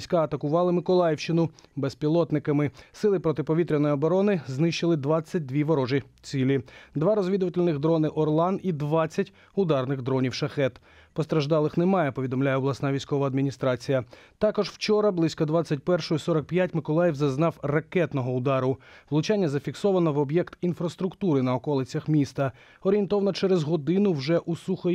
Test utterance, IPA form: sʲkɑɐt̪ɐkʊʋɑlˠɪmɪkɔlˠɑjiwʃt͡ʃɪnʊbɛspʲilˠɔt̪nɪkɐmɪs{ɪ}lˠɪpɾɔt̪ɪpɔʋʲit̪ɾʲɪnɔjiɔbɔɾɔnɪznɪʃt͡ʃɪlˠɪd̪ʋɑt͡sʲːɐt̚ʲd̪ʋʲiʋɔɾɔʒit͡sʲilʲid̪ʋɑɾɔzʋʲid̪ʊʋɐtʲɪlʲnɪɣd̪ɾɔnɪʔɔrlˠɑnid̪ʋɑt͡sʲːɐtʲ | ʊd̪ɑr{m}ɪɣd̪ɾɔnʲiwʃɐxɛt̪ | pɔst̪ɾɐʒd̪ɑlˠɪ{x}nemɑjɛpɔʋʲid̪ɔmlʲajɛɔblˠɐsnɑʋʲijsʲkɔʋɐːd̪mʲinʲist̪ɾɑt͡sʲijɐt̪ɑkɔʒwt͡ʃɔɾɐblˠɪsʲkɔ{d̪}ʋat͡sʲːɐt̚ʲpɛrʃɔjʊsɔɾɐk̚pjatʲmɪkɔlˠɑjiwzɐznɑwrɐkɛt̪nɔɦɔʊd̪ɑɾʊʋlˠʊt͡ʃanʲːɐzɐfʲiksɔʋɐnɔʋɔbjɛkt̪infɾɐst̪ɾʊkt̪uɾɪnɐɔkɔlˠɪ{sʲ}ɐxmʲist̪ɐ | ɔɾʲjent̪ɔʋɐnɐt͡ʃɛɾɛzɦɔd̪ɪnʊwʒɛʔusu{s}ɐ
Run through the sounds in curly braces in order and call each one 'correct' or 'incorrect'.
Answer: correct, incorrect, correct, correct, incorrect, incorrect

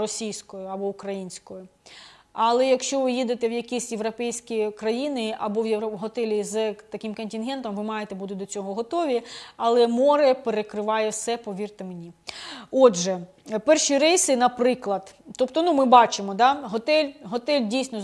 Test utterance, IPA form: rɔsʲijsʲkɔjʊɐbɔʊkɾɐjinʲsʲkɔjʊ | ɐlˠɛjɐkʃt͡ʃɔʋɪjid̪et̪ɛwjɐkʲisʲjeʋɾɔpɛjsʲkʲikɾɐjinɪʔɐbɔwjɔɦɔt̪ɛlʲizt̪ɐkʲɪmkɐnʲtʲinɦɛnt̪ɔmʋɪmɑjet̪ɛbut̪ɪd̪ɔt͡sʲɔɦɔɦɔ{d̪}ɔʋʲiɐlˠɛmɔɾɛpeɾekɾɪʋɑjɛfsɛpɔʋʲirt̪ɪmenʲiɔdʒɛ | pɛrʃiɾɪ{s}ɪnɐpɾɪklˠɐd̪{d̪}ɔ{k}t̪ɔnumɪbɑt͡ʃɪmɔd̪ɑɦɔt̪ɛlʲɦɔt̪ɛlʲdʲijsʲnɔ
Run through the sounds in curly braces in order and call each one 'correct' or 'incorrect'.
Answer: incorrect, correct, incorrect, incorrect

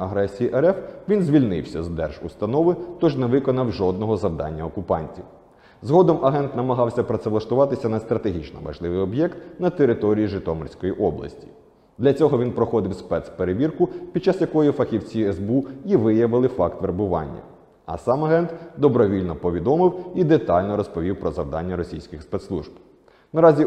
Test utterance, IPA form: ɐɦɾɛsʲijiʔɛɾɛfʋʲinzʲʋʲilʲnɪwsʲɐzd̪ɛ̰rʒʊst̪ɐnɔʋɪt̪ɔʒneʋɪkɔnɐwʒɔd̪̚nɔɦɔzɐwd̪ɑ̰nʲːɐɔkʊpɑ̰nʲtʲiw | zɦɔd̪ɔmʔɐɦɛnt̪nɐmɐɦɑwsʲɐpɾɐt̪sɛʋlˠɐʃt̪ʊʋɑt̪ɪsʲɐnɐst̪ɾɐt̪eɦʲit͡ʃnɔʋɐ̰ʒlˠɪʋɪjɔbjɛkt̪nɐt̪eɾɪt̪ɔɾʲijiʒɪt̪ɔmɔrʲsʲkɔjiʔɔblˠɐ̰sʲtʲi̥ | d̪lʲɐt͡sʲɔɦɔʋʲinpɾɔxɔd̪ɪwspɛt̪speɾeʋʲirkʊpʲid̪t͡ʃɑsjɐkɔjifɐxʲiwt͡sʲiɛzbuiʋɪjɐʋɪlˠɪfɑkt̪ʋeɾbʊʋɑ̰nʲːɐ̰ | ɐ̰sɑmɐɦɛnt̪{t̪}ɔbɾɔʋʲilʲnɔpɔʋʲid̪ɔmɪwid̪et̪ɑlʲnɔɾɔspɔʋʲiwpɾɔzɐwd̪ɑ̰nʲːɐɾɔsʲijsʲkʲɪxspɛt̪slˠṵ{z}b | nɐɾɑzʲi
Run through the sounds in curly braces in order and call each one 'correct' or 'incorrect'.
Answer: incorrect, incorrect

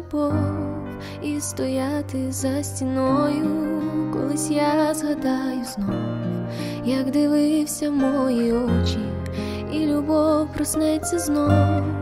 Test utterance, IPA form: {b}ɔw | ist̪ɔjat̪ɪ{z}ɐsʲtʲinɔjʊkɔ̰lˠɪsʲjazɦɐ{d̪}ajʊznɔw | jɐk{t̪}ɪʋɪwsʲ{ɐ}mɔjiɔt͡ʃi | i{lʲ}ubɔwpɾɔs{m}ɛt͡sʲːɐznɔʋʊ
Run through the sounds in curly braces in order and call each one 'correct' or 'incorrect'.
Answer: correct, correct, correct, incorrect, correct, correct, incorrect

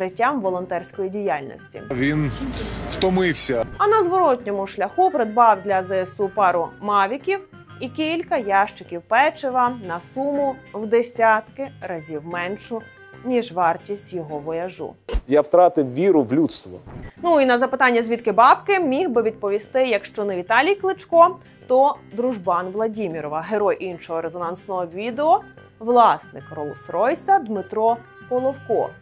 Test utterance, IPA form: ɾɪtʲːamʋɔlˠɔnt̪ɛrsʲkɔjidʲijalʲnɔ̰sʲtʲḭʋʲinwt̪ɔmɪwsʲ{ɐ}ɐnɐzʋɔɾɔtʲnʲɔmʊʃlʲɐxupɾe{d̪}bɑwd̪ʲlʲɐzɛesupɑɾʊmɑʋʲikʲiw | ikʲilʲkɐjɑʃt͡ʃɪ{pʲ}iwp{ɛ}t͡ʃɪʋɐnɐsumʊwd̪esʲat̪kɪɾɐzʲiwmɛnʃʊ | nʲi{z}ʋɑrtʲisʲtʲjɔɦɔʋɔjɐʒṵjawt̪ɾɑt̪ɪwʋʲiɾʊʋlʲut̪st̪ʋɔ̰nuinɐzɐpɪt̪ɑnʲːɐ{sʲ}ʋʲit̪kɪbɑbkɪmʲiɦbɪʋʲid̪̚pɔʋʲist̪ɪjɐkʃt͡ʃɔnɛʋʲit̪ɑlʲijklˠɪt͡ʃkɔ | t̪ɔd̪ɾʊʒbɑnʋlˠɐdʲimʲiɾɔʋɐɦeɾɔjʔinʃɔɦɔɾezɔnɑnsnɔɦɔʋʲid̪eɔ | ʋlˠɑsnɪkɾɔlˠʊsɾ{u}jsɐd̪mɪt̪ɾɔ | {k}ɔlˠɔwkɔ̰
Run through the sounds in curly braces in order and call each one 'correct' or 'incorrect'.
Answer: correct, correct, incorrect, correct, incorrect, incorrect, incorrect, incorrect

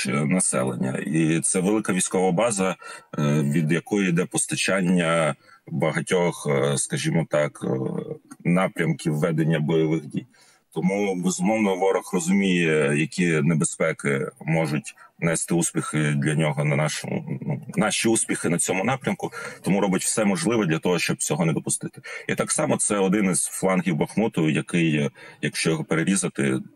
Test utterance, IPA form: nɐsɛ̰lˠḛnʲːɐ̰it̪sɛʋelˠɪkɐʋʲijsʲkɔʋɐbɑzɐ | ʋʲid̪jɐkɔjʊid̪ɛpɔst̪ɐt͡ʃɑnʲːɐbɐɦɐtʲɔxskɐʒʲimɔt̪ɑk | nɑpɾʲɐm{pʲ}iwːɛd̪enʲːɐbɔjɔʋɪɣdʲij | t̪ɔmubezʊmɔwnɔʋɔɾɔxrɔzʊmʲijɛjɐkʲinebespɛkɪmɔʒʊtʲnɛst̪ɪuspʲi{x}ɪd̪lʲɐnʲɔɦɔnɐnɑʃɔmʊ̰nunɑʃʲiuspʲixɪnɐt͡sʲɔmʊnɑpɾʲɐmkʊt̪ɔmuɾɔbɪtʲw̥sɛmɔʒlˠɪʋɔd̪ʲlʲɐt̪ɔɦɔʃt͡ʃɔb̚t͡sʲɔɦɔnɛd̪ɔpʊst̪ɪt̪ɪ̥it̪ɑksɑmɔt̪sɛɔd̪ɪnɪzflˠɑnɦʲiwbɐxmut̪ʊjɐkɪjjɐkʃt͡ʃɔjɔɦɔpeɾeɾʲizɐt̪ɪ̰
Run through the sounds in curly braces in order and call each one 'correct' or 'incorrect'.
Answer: incorrect, correct

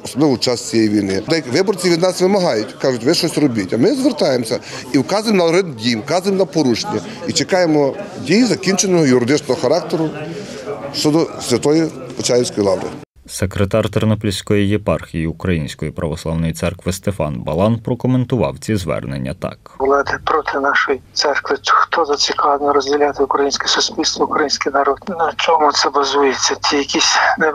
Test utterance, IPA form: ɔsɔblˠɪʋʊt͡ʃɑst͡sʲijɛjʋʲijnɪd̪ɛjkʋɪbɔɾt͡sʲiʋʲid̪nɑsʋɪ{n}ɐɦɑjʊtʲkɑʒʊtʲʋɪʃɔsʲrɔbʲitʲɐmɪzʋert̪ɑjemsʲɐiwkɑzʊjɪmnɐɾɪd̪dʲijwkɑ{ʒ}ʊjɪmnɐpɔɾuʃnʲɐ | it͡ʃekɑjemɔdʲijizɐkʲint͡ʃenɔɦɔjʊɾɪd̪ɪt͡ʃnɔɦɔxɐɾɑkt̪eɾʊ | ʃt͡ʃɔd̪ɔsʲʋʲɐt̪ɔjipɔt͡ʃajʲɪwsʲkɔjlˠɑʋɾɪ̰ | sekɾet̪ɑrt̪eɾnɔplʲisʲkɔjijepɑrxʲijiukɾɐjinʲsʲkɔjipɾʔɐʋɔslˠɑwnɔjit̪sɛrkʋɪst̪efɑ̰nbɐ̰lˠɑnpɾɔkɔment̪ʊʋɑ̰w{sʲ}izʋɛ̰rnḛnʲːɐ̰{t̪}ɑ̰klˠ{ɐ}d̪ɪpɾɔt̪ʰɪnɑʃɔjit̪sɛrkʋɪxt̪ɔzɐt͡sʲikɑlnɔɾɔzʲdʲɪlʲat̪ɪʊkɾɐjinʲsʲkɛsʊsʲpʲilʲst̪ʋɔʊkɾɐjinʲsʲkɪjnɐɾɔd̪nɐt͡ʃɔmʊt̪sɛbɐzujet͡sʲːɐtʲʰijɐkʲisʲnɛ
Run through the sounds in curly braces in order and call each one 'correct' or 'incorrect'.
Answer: incorrect, incorrect, incorrect, correct, incorrect

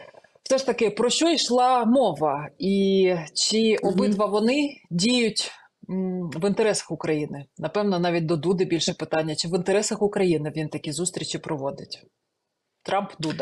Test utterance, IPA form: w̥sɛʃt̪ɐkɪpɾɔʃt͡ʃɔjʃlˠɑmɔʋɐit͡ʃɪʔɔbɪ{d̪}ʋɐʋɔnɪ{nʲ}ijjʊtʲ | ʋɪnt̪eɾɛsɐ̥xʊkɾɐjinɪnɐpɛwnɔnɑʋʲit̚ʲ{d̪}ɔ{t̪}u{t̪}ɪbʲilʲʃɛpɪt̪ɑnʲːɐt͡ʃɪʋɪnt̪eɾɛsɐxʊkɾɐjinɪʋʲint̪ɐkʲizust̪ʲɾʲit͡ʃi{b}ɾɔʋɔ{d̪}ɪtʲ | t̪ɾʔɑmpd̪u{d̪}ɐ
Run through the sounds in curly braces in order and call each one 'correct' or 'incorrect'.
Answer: incorrect, incorrect, correct, incorrect, incorrect, incorrect, correct, correct

